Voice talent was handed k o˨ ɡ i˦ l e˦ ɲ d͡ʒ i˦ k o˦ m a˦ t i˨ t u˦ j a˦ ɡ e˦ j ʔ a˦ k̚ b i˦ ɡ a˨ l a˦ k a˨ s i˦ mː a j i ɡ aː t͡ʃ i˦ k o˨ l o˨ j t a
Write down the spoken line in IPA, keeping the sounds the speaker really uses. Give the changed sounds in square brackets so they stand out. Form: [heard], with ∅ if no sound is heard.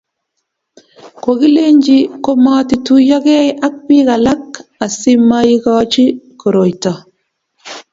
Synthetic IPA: k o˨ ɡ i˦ l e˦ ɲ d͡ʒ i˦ k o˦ m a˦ t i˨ t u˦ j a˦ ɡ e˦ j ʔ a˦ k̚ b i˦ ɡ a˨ l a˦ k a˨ s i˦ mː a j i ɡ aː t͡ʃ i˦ k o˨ [ɾ] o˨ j t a